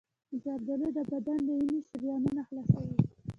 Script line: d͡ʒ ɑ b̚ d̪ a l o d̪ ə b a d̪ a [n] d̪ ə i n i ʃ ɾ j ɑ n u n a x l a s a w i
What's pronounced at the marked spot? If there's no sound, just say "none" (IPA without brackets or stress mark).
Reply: n